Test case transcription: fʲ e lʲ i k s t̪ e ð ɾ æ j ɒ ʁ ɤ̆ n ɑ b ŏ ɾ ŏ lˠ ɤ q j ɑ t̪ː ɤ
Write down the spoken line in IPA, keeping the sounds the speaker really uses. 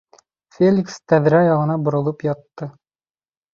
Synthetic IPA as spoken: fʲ e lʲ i k s t̪ æ ð ɾ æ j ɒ ʁ ɤ̆ n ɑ b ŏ ɾ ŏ lˠ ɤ p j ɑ t̪ː ɤ